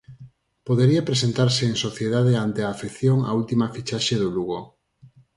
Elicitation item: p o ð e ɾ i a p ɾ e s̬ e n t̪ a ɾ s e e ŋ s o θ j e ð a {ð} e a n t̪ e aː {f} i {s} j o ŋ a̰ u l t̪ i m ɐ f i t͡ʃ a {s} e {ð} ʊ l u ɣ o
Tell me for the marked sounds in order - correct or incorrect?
correct, correct, incorrect: θ, incorrect: ʃ, correct

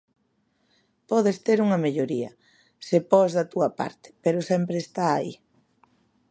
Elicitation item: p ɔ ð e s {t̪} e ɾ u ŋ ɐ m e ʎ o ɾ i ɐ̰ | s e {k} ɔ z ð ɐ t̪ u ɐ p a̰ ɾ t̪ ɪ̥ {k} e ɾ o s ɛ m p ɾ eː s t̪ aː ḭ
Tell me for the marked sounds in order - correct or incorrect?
correct, incorrect: p, incorrect: p

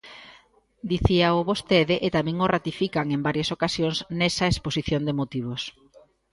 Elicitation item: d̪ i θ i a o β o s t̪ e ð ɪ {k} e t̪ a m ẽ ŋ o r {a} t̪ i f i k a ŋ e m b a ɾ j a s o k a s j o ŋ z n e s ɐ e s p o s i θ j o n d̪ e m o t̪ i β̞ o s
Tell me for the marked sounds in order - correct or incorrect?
incorrect: ʔ, correct

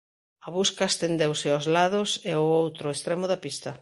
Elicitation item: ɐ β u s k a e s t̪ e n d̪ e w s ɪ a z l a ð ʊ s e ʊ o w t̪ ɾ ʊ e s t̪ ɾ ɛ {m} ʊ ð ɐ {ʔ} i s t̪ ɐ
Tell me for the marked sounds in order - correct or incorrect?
correct, incorrect: p

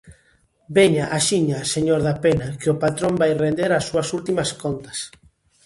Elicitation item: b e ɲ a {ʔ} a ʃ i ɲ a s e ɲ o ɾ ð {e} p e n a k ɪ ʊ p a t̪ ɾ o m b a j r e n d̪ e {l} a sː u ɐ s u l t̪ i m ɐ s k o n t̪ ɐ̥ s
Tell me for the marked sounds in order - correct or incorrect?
correct, incorrect: a, incorrect: ɾ

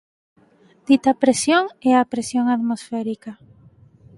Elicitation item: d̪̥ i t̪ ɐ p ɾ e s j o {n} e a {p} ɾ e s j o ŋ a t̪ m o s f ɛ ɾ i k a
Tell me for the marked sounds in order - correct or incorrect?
incorrect: ŋ, correct

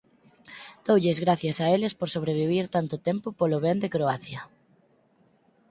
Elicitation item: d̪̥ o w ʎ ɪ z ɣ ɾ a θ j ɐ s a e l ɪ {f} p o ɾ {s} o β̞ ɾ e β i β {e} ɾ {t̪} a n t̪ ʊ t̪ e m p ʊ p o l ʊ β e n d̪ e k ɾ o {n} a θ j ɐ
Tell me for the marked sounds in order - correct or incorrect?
incorrect: s, correct, incorrect: i, correct, incorrect: none

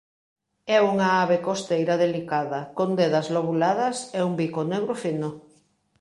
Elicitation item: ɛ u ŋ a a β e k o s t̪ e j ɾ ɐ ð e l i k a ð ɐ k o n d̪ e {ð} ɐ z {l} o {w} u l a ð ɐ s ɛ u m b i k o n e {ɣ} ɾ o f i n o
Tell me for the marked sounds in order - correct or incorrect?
correct, correct, incorrect: β, correct

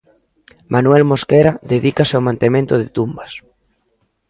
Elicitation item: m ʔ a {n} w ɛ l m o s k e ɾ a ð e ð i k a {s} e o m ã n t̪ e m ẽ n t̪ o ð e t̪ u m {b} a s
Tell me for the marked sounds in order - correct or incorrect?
correct, correct, correct

